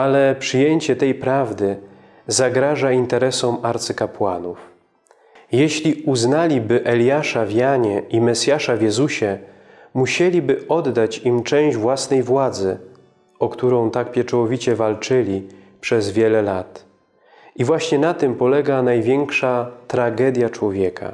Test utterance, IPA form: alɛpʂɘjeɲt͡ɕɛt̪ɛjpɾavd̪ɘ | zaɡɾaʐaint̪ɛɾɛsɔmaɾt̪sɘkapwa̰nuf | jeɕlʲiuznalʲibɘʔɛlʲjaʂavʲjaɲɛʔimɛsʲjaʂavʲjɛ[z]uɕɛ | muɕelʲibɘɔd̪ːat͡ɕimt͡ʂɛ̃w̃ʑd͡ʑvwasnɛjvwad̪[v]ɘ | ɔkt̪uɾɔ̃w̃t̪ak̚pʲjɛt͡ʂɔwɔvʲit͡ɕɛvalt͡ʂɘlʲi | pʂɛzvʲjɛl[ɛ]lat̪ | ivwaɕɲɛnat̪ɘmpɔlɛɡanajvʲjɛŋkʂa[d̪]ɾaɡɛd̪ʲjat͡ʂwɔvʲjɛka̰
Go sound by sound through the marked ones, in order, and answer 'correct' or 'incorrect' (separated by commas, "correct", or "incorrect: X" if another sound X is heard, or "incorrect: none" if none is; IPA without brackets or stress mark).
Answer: correct, incorrect: z, correct, incorrect: t̪